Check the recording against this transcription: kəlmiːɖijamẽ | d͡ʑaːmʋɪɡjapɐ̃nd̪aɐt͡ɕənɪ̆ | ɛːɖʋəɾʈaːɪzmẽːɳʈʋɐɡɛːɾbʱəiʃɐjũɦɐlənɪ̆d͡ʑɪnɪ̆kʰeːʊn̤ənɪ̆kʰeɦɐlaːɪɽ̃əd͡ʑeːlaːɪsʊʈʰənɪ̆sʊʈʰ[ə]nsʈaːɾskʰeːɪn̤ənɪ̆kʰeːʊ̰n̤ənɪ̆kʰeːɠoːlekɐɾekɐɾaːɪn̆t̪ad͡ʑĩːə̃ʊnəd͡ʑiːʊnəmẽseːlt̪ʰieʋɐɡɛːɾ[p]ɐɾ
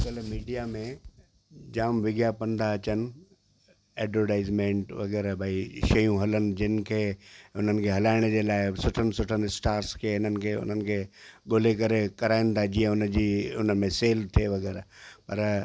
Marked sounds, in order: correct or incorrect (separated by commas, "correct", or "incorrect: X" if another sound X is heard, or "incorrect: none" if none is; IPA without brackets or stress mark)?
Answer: correct, correct